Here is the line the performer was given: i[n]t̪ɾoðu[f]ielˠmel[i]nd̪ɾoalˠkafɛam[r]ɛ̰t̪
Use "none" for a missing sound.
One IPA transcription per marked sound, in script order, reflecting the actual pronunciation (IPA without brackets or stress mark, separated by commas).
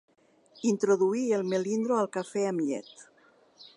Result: n, none, i, ʎ